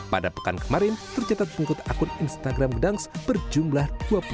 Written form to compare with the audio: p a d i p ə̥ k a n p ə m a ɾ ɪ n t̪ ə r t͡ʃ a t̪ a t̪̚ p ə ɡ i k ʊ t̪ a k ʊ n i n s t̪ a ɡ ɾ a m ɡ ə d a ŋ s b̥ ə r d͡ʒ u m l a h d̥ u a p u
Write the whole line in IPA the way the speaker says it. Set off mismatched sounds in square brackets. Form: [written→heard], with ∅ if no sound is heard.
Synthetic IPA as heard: p a d [i→a] p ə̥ k a n [p→k] ə m a ɾ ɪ n t̪ ə r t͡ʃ a t̪ a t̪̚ p ə [ɡ→ŋ] i k ʊ t̪ a k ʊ n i n s t̪ a ɡ ɾ a m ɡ ə d a ŋ s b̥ ə r d͡ʒ u m l a h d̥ u a p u